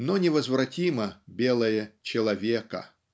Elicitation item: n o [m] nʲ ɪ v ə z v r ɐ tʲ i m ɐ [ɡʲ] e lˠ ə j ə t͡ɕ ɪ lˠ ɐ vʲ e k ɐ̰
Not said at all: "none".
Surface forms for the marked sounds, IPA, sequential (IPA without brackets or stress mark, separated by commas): none, bʲ